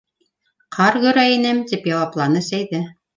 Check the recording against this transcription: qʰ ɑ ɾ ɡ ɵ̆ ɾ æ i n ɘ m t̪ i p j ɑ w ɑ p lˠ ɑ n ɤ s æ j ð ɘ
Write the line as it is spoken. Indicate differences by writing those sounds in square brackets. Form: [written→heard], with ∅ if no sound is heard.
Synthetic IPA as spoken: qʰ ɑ ɾ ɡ ɵ̆ ɾ æ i n ɘ m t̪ i p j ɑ w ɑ p lˠ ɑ n ɤ s æ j ð ɘ